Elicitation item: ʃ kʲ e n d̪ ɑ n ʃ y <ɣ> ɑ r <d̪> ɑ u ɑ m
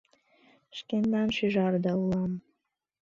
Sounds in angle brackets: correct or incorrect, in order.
incorrect, correct

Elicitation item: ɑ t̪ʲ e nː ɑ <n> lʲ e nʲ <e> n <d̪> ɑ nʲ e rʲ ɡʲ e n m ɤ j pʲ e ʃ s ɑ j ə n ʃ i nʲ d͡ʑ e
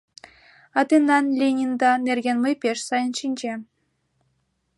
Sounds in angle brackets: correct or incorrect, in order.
correct, incorrect, correct

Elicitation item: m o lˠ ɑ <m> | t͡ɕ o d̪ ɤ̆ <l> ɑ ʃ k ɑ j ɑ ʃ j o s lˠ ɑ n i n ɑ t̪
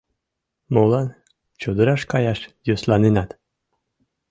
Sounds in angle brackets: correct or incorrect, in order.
incorrect, incorrect

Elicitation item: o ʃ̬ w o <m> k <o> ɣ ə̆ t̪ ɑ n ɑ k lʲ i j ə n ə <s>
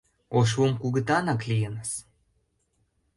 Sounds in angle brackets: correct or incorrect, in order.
correct, incorrect, correct

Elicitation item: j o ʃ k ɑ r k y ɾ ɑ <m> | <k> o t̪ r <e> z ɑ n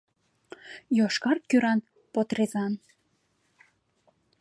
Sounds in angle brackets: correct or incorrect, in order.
incorrect, incorrect, correct

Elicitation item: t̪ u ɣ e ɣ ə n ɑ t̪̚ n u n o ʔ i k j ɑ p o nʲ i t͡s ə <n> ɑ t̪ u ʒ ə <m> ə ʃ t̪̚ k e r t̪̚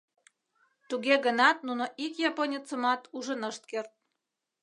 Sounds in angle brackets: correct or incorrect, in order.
incorrect, incorrect

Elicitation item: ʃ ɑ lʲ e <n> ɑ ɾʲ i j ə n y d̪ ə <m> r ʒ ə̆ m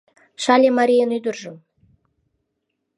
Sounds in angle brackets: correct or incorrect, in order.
incorrect, incorrect

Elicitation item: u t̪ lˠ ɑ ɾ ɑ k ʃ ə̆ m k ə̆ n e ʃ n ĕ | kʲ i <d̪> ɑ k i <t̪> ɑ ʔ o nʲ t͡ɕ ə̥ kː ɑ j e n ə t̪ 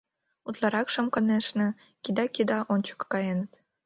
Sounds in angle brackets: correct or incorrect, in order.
correct, incorrect

